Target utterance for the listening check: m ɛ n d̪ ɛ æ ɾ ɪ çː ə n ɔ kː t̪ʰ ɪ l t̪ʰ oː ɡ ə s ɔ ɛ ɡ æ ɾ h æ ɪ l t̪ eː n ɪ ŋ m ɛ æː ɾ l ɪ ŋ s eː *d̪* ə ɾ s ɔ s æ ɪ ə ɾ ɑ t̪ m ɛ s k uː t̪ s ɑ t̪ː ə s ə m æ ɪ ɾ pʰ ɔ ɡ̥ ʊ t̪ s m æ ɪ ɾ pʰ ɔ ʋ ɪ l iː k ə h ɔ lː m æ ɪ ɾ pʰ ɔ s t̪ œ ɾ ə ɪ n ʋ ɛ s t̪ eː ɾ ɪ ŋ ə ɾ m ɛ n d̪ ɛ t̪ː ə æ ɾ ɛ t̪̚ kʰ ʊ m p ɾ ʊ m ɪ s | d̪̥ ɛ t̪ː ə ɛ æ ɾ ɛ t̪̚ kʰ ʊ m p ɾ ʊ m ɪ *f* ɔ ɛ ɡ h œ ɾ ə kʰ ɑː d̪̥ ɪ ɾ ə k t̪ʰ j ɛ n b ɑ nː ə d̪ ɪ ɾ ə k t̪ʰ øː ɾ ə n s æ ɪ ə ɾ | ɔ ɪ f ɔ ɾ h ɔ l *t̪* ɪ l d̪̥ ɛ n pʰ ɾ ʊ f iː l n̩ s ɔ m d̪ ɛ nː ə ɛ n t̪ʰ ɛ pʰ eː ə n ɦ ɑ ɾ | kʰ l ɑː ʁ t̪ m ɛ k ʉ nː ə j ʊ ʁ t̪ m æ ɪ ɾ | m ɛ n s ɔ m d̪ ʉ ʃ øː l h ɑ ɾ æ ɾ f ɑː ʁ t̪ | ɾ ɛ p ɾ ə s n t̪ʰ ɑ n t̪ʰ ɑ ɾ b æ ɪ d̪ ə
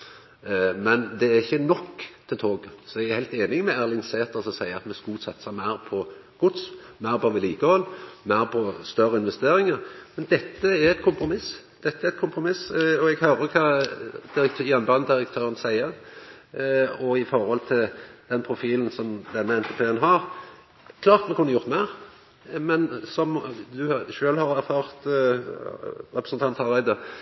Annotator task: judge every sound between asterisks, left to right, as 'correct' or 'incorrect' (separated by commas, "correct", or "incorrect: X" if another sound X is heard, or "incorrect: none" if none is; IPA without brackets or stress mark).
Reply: incorrect: t̪, incorrect: s, incorrect: t̪ʰ